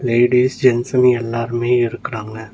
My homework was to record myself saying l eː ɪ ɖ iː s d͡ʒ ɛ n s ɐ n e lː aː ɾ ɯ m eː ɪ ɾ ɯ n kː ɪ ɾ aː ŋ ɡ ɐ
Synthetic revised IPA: l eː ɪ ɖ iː s d͡ʒ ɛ n s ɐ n ɛ lː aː ɾ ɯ m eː ɪ ɾ ɯ kː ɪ ɾ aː ŋ ɡ ɐ